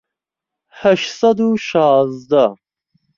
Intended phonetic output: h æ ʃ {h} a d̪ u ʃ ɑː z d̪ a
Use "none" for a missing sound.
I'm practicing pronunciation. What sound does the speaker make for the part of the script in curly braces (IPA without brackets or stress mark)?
s